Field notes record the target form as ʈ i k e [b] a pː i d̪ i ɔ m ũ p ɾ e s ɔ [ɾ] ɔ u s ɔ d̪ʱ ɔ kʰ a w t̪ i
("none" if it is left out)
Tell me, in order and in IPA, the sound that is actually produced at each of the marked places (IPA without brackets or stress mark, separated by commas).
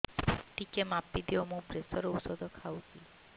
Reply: m, ɾ